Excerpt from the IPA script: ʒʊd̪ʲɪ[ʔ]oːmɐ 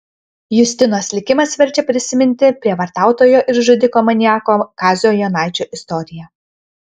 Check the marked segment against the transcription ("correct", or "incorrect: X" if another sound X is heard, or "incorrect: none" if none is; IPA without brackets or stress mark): incorrect: k